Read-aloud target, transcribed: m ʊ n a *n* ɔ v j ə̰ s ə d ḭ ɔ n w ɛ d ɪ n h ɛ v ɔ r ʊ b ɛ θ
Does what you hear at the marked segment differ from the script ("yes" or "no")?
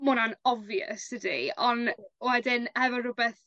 no